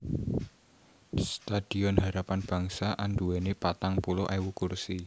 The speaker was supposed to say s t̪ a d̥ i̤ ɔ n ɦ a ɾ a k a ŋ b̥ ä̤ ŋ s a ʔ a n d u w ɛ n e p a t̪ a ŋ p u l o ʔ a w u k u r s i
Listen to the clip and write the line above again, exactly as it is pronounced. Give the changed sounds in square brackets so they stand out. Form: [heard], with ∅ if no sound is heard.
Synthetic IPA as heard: s t̪ a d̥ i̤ ɔ n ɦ a ɾ a [p] a [n] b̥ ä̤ ŋ s a ʔ a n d u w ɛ n e p a t̪ a ŋ p u l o ʔ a w u k u r s i